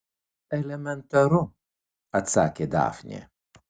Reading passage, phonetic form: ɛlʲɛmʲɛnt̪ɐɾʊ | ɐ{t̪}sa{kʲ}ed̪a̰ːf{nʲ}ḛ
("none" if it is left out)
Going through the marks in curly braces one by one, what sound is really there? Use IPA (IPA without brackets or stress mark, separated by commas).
t̪, kʲ, nʲ